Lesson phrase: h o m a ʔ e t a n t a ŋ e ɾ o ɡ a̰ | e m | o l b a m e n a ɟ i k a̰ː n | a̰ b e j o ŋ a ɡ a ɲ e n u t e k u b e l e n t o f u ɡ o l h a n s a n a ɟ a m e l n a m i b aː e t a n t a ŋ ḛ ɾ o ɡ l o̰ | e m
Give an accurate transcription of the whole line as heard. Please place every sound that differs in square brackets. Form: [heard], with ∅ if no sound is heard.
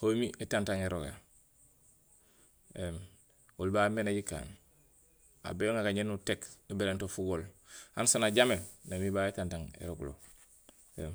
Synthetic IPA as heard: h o m [i] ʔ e t a n t a ŋ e ɾ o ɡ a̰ | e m | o l b a m e n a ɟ i k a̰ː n | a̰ b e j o ŋ a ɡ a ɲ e n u t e k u b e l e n t o f u ɡ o l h a n s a n a ɟ a m e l n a m i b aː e t a n t a ŋ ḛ ɾ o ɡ l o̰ | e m